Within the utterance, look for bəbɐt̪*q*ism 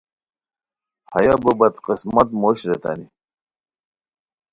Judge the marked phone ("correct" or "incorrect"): correct